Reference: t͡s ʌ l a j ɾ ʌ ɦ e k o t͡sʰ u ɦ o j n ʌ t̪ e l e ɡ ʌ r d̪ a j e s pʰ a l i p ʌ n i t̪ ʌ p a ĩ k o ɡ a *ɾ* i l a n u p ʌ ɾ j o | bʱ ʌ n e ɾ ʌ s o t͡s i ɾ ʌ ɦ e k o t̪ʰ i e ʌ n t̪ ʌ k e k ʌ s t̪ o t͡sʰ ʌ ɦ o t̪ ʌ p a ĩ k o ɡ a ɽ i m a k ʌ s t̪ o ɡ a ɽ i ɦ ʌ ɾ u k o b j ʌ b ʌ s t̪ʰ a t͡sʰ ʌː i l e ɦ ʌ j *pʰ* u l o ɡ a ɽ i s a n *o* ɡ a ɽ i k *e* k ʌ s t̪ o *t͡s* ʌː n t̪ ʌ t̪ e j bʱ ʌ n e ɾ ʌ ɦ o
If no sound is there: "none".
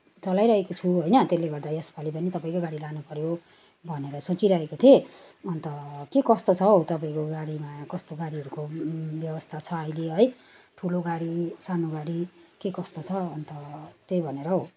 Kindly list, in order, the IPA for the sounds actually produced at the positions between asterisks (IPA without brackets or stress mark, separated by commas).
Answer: ɽ, ʈʰ, o, e, t͡sʰ